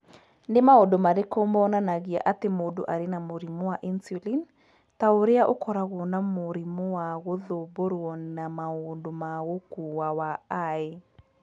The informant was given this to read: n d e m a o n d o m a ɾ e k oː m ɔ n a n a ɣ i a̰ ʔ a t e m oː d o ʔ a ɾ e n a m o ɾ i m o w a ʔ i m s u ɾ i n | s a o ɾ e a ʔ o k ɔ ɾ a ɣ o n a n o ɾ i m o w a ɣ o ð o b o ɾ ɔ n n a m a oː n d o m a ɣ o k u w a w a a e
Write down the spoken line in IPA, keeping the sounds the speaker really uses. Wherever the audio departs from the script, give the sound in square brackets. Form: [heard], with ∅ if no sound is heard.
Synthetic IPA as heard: n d e m a o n d o m a ɾ e k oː m ɔ n a n a ɣ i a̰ ʔ a t e m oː d o ʔ a ɾ e n a m o ɾ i m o w a ʔ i [n] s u [l] i n | [t] a o ɾ e a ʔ o k ɔ ɾ a ɣ o n a [m] o ɾ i m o w a ɣ o ð o b o ɾ ɔ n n a m a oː n d o m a ɣ o k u w a w a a e